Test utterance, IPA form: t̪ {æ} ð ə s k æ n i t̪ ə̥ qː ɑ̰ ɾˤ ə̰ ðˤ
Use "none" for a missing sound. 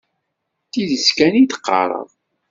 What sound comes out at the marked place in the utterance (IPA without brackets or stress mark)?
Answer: i